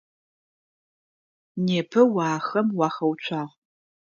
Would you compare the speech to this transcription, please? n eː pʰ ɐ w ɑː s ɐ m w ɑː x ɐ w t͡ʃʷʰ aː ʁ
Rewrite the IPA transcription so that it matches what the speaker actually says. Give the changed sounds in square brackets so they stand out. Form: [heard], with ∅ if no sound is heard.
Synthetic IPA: n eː pʰ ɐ w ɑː [x] ɐ m w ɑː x ɐ w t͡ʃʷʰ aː ʁ